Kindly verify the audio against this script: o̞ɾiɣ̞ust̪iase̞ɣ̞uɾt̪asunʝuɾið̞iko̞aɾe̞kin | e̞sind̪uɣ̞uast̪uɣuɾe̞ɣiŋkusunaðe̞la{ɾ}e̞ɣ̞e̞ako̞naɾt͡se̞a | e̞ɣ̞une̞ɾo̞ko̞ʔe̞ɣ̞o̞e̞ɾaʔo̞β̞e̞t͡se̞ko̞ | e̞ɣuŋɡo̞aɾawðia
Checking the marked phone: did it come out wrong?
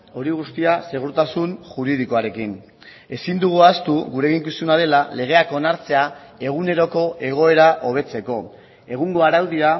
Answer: yes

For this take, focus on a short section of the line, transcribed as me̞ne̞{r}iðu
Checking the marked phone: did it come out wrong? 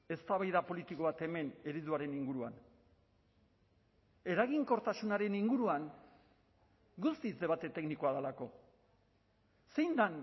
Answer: yes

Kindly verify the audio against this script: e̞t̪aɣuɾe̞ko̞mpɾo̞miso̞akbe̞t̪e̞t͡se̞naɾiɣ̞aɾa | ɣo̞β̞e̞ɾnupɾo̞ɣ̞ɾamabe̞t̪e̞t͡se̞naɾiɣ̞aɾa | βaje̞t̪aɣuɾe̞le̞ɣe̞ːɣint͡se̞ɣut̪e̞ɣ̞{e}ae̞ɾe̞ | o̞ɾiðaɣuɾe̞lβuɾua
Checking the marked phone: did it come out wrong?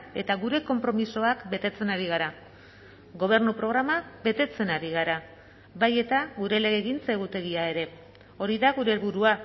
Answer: yes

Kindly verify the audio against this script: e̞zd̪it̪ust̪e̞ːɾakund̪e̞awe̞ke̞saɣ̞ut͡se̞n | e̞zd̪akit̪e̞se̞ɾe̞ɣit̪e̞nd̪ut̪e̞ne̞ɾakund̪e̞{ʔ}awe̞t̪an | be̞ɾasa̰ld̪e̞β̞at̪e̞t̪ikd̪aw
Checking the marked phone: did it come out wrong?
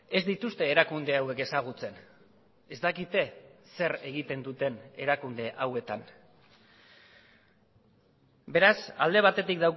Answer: no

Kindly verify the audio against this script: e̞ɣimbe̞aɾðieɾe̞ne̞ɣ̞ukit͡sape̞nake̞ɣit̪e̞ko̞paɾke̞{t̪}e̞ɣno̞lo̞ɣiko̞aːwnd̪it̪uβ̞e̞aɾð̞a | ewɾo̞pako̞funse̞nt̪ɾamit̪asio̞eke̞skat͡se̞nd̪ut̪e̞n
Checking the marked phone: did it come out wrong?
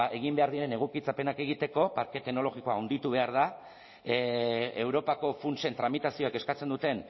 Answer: no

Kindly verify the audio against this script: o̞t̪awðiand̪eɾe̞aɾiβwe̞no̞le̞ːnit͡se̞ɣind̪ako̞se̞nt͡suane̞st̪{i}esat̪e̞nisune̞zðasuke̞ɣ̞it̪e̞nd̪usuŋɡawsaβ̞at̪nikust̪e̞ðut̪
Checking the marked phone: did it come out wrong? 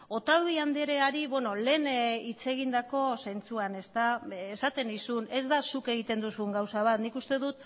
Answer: yes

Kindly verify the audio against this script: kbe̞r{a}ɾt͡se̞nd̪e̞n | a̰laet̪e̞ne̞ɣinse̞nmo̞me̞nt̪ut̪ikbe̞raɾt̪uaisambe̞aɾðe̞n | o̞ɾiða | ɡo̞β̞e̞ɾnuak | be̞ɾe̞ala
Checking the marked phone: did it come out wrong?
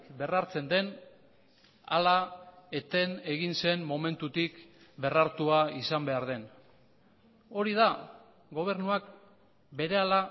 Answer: no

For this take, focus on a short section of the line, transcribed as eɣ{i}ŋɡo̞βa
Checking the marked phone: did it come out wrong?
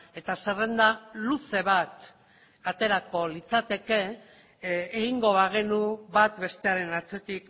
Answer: no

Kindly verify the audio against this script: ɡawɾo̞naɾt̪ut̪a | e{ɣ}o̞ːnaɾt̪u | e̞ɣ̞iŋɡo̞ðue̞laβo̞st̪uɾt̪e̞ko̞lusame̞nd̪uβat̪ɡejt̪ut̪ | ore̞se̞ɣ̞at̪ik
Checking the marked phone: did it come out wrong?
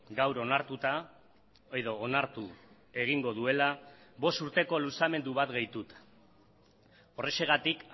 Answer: yes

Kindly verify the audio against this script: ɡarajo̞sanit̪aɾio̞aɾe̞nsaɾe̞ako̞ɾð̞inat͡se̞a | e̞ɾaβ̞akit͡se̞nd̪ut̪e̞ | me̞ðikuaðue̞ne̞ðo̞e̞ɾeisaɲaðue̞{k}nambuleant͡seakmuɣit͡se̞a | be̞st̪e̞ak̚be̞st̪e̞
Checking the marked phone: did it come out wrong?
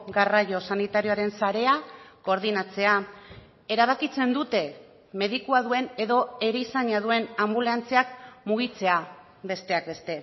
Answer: yes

